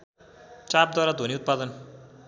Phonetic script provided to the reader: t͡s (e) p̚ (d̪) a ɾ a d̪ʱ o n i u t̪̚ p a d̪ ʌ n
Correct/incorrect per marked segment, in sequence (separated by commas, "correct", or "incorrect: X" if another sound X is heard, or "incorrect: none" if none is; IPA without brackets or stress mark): incorrect: a, correct